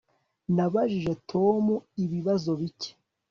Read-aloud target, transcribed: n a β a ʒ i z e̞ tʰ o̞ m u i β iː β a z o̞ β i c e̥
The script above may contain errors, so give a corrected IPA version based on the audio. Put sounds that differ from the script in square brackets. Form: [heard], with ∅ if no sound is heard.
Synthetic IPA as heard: n a β a ʒ i [ʒ] e̞ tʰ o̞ m u i β [i] β a z o̞ β i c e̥